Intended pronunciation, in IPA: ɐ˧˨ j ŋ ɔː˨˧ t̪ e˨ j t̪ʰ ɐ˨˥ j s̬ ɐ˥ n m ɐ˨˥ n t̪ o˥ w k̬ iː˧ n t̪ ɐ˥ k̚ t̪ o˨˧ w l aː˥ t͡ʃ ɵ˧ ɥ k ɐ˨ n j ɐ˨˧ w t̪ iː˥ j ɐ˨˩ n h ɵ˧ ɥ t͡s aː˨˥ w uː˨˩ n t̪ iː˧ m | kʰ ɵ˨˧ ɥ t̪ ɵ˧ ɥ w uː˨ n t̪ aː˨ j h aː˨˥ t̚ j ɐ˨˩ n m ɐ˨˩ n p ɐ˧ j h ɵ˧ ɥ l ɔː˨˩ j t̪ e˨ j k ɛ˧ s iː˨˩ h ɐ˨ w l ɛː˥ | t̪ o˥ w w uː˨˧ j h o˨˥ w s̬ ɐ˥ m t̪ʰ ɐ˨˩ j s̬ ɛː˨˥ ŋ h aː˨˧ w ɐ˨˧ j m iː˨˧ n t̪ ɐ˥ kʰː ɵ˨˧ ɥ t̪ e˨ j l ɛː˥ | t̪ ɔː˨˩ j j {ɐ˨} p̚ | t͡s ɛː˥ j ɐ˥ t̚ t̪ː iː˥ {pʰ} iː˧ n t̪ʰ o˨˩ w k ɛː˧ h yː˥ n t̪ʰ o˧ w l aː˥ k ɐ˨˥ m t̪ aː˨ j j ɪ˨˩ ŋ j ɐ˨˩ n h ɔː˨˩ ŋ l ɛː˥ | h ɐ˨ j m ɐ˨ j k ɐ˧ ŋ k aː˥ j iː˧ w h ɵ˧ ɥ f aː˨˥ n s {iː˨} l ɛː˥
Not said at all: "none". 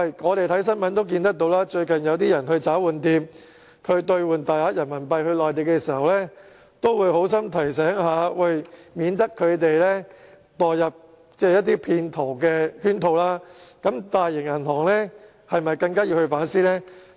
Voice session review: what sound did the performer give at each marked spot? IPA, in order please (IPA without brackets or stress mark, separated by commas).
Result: ɐ˨, pʰ, iː˥